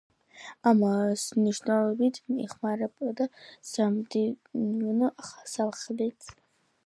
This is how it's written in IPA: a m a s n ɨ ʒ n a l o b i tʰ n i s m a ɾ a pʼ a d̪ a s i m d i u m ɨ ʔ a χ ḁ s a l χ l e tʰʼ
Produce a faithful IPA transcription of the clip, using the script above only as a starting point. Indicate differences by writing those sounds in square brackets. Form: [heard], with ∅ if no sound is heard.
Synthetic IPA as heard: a m a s n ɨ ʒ n a l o b i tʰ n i [χ] m a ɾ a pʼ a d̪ a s [a] m d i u [n] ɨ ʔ a χ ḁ s a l χ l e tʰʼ